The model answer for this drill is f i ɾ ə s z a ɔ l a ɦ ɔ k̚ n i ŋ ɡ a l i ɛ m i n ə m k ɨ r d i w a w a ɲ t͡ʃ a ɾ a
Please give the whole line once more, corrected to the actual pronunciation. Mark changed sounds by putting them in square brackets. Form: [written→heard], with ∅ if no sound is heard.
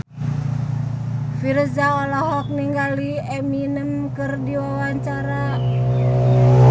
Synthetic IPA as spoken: f i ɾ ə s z a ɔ l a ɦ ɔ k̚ n i ŋ ɡ a l i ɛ m i n ə m k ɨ r d i w a w a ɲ t͡ʃ a ɾ a